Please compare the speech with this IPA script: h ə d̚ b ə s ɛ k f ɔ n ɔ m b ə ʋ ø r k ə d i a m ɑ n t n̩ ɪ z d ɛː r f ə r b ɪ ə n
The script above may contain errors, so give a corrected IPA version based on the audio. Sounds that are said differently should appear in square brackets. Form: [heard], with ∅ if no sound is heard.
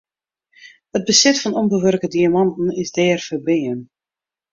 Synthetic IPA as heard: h ə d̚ b ə s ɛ [t] f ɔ n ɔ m b ə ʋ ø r k ə d i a m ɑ n t n̩ ɪ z d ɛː r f ə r b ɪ ə n

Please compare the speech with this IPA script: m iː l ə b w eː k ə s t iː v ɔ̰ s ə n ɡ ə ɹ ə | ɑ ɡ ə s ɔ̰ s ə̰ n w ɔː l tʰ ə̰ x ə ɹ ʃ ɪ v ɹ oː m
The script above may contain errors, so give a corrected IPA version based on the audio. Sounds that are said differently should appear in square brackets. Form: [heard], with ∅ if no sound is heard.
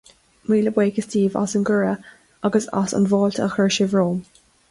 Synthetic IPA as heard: m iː l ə b w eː k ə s t iː v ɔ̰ s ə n ɡ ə ɹ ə | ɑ ɡ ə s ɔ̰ s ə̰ n [v] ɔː l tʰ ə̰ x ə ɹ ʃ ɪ v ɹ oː m

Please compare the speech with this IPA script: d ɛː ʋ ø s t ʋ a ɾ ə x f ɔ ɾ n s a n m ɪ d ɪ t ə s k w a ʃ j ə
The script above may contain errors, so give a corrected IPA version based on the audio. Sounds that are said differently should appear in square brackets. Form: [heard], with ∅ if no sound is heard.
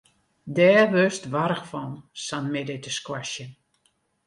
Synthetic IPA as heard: d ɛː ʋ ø s t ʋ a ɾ ə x f ɔ [∅] n s a n m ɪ d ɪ t ə s k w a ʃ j ə

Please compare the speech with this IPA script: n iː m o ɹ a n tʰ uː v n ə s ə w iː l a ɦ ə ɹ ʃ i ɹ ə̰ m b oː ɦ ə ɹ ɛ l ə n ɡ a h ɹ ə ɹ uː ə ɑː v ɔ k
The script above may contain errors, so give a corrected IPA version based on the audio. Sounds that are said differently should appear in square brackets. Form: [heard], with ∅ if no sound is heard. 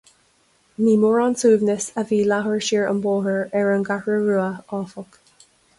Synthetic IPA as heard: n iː m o ɹ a n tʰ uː v n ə s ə [v] iː l a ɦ ə ɹ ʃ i ɹ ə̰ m b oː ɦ ə ɹ ɛ [ɹ] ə n ɡ a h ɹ ə ɹ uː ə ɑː [f] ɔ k

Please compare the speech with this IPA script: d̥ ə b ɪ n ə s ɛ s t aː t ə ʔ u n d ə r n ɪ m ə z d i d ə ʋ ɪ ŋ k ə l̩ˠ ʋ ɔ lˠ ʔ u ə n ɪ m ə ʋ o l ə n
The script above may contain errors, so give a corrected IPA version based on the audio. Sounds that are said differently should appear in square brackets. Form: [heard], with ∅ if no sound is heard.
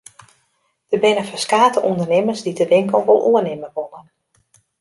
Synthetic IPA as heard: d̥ ə b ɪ n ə [f] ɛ s [k] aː t ə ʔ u n d ə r n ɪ m ə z d i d ə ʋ ɪ ŋ k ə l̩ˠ ʋ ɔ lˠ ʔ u ə n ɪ m ə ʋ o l ə n

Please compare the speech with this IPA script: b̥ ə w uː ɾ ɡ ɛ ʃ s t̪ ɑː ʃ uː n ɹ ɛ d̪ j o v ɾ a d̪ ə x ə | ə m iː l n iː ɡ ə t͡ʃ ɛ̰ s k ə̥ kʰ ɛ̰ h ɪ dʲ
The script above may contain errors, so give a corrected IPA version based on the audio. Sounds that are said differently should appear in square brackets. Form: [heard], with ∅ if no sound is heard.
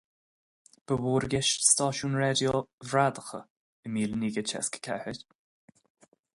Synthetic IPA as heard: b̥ ə w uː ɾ ɡ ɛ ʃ s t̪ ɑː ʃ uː n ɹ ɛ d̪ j o v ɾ a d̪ ə x ə | ə m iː l n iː ɡ ə t͡ʃ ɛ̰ s k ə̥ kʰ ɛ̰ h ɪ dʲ

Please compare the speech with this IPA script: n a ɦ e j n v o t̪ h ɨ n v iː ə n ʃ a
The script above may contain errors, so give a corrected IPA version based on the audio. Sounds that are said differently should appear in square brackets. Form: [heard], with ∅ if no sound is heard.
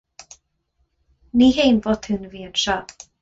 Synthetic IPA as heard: n [i] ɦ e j n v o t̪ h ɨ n v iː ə n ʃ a

